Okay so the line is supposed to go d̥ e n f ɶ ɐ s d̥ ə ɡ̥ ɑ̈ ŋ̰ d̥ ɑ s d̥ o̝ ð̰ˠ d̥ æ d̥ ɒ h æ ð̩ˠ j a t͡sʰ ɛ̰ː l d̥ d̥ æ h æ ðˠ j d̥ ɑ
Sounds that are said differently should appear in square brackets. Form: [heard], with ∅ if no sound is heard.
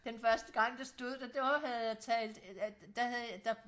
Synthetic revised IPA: d̥ e n f ɶ ɐ s d̥ ə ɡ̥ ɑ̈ ŋ̰ d̥ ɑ s d̥ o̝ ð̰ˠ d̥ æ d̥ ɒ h æ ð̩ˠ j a t͡sʰ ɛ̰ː l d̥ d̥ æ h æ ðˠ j d̥ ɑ